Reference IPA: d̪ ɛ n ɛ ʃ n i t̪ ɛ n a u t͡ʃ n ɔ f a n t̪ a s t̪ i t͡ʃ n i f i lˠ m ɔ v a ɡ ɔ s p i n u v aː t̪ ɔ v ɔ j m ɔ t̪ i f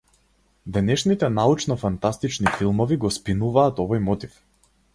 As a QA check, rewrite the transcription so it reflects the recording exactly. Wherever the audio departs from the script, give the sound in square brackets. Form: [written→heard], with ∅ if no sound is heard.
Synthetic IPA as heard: d̪ ɛ n ɛ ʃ n i t̪ ɛ n a u t͡ʃ n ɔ f a n t̪ a s t̪ i t͡ʃ n i f i lˠ m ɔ v [a→i] ɡ ɔ s p i n u v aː t̪ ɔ v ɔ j m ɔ t̪ i f